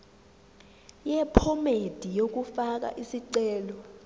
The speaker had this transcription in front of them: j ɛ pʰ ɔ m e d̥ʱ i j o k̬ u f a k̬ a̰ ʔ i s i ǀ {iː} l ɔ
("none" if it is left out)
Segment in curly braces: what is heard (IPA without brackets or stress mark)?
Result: ɛː